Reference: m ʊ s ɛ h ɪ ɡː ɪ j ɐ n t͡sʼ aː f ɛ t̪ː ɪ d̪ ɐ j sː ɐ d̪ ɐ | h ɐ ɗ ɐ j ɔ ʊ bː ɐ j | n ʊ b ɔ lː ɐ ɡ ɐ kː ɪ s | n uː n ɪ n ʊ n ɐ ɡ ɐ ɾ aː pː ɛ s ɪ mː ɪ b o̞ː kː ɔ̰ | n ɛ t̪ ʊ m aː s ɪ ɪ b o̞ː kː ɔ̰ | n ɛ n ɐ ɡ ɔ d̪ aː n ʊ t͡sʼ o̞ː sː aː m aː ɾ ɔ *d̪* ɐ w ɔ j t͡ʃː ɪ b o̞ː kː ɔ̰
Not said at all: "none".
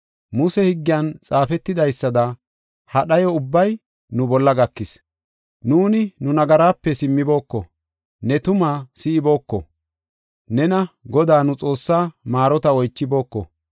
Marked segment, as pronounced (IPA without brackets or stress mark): t̪